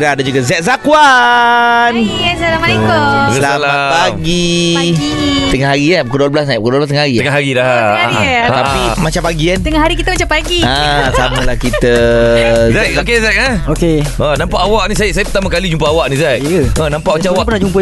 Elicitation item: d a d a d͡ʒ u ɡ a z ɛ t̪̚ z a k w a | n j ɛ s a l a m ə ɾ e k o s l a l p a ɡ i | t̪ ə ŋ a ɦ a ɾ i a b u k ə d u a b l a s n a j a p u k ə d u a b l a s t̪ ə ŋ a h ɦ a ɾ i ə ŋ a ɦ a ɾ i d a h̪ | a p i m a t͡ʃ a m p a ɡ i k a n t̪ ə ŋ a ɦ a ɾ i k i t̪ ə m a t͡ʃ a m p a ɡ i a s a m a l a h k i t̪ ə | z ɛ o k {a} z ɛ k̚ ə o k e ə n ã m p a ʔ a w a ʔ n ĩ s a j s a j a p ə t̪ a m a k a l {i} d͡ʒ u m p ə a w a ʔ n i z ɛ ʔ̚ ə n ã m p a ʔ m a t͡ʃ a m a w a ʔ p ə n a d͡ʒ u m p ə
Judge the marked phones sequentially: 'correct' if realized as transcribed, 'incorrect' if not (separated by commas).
incorrect, correct